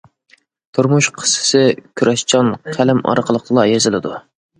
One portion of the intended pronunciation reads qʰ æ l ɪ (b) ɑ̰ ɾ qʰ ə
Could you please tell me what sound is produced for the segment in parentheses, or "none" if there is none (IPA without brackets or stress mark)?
m